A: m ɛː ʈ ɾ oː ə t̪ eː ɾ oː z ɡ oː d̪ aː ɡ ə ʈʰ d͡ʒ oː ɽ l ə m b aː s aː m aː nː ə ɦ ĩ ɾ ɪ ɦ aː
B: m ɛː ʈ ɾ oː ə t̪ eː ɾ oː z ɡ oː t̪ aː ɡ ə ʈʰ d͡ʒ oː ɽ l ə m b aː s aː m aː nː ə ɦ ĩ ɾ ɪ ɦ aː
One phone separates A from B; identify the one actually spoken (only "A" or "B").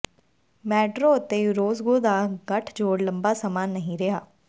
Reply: A